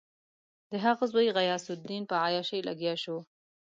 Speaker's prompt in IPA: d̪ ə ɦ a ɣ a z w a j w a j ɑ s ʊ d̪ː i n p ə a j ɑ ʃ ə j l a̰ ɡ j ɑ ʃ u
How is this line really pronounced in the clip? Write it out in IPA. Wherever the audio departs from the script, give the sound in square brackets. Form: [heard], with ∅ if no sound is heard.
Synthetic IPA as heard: d̪ ə ɦ a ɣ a z w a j [ɣ] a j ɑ s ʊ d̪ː i n p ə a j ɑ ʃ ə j l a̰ ɡ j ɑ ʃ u